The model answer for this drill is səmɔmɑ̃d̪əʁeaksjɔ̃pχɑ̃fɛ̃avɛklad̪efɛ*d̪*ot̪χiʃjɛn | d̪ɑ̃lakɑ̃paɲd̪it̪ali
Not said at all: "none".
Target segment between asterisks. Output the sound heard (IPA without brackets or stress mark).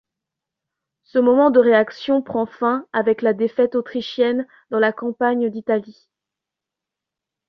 t̪